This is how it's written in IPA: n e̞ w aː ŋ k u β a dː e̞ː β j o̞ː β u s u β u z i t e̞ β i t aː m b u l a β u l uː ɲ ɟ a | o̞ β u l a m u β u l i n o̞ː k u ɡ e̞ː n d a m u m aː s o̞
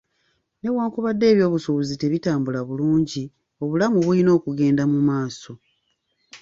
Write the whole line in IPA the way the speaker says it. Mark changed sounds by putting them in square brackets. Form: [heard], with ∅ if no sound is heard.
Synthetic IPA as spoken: n e̞ w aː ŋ k u β a dː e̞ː β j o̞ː β u s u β u z i t e̞ β i t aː m b u l a β u l uː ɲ ɟ [i] | o̞ β u l a m u β u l i n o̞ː k u ɡ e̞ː n d a m u m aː s o̞